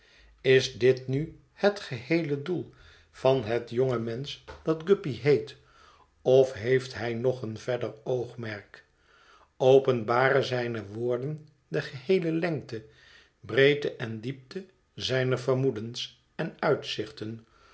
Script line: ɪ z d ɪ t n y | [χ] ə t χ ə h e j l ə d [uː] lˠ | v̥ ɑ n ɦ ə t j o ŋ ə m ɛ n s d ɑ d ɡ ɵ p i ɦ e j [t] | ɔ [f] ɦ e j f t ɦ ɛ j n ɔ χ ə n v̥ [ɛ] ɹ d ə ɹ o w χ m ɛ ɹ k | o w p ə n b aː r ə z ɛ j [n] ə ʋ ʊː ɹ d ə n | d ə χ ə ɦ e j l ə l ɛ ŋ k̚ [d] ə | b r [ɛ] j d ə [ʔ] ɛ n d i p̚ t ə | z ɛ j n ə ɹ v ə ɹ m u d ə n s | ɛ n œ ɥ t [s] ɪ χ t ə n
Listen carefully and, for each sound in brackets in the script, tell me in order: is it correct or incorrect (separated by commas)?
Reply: incorrect, incorrect, correct, correct, correct, correct, incorrect, incorrect, correct, correct